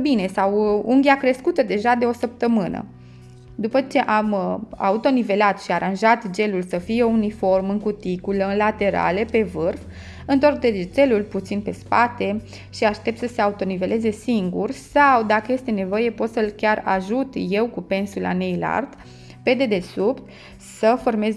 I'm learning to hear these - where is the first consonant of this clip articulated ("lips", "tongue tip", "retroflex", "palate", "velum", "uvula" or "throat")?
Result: lips